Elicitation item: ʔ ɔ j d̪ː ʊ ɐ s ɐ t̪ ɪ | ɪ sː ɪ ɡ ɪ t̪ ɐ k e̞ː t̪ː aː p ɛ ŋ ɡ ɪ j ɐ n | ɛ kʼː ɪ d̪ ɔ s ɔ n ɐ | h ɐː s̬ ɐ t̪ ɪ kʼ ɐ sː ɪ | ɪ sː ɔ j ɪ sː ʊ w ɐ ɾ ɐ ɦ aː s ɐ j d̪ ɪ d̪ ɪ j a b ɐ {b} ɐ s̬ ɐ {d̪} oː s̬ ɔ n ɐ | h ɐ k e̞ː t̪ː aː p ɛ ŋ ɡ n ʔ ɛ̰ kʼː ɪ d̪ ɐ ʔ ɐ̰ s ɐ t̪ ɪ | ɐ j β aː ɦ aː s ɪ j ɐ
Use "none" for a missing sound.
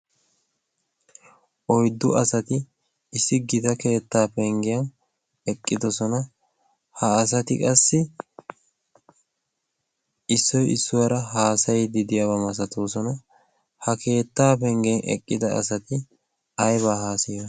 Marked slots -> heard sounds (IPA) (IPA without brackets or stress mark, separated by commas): m, t̪